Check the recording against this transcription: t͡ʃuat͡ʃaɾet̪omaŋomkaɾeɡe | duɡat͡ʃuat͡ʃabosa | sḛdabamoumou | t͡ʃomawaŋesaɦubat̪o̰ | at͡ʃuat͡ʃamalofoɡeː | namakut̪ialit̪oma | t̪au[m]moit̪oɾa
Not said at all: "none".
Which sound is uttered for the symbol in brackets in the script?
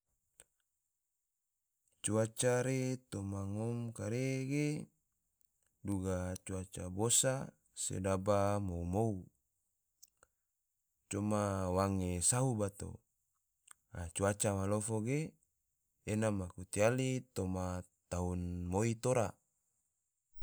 n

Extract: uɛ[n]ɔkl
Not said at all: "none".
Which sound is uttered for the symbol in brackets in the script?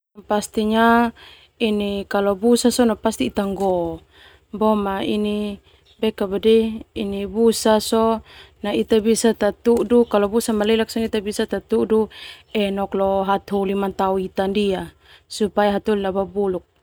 n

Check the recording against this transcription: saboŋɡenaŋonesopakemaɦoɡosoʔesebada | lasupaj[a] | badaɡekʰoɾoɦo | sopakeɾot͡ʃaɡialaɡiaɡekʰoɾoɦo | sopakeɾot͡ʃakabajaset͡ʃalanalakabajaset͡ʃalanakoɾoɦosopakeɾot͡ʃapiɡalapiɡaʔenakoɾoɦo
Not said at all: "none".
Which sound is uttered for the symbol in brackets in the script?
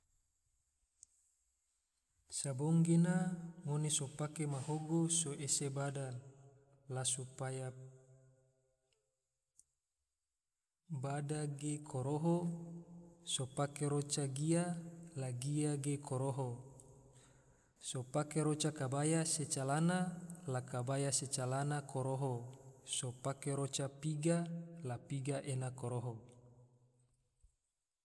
a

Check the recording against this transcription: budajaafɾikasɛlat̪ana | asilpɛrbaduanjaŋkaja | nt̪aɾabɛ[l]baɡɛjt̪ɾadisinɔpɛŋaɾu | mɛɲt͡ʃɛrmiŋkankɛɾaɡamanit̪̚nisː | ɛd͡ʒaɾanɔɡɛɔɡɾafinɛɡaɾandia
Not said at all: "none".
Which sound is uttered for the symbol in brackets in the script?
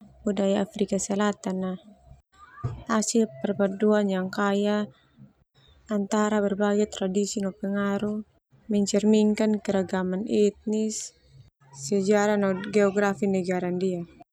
r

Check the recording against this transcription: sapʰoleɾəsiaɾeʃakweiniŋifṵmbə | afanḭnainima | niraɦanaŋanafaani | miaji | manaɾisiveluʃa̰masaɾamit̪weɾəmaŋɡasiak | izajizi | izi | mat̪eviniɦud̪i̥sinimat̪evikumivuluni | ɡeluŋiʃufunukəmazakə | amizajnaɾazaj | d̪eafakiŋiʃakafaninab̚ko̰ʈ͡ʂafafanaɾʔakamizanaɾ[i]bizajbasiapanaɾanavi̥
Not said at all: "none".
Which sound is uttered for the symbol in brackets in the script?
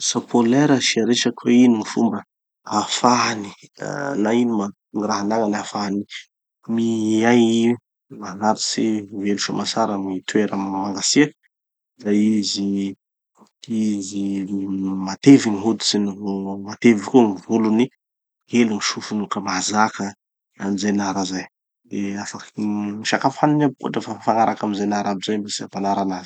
a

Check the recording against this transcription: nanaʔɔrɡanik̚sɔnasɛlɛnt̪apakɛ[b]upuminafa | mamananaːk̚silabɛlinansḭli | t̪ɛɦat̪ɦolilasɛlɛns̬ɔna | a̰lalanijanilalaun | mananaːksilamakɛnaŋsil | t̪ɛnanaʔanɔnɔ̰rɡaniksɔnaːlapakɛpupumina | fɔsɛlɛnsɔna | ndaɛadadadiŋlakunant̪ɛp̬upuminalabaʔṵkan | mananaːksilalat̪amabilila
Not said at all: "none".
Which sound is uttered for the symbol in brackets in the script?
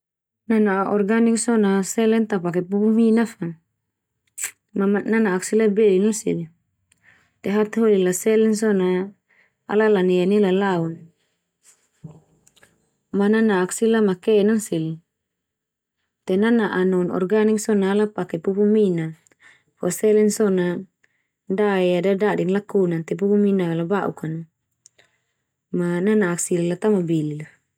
p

